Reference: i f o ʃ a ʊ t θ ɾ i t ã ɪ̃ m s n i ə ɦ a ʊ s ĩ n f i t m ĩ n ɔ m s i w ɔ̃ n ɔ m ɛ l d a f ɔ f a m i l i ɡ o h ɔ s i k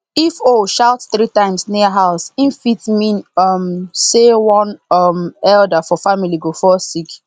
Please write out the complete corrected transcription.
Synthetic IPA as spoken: i f o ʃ a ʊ t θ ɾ i t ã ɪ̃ m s n i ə ɦ a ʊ s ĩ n f i t m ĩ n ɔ m s e w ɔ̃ n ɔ m ɛ l d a f ɔ f a m i l i ɡ o f ɔ s i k